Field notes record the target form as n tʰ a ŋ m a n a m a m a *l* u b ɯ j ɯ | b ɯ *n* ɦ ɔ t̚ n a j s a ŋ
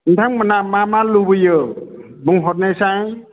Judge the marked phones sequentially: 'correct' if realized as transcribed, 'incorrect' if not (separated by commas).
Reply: correct, incorrect